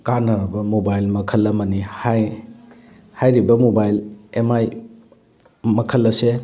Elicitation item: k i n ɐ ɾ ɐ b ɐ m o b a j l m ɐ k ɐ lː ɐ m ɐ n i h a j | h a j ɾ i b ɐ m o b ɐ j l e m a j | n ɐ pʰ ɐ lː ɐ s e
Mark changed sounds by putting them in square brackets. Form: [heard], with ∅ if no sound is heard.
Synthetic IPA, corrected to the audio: k [a] n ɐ ɾ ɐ b ɐ m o b a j l m ɐ [kʰ] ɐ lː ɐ m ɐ n i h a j | h a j ɾ i b ɐ m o b [a] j l e m a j | [m] ɐ [kʰ] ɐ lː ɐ s e